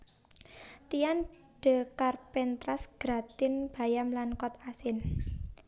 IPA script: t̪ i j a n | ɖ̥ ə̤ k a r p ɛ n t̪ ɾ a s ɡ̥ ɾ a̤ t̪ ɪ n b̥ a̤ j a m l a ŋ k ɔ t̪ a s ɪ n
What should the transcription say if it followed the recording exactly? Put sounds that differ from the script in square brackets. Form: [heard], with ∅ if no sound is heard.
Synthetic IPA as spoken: t̪ i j a n | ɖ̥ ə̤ k a r p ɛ n t̪ ɾ a s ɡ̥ ɾ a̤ t̪ ɪ n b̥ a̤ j a m l a [n] k ɔ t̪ a s ɪ n